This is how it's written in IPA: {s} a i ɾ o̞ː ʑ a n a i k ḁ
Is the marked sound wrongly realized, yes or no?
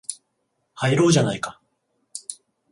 yes